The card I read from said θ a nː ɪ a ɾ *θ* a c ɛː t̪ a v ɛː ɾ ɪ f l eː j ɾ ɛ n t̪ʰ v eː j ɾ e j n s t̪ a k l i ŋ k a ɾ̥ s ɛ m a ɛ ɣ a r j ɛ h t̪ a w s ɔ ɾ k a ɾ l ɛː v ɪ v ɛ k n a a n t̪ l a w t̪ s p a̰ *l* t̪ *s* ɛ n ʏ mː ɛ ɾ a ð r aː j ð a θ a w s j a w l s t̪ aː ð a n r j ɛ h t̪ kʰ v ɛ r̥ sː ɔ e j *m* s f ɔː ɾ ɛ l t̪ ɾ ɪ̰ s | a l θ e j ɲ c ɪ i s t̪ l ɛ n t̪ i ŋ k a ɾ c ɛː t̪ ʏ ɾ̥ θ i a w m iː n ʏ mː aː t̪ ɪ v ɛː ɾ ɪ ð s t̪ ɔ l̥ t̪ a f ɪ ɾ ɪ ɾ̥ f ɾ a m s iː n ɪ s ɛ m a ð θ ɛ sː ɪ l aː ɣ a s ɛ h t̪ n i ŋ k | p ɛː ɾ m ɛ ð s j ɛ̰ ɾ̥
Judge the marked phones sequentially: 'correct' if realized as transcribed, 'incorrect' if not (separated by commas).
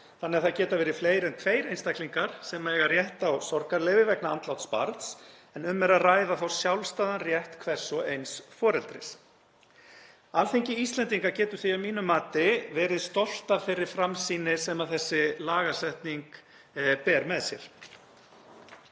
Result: correct, incorrect, correct, incorrect